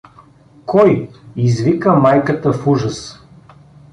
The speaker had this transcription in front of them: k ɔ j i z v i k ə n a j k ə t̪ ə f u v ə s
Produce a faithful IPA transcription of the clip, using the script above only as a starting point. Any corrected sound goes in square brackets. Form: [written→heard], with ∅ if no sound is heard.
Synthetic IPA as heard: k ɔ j i z v i k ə [n→m] a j k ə t̪ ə f u [v→ʒ] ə s